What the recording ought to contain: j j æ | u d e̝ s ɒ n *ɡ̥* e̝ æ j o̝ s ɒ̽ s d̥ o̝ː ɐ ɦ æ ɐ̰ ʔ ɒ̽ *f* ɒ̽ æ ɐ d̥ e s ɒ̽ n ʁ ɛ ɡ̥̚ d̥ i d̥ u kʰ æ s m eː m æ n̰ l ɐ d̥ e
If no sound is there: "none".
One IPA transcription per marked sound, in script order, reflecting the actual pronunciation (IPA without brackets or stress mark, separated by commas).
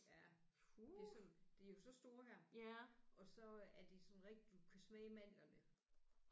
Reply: d̥, s